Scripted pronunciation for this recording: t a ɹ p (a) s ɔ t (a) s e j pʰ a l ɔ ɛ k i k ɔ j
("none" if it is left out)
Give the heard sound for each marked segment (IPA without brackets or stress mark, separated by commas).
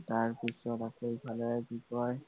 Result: i, a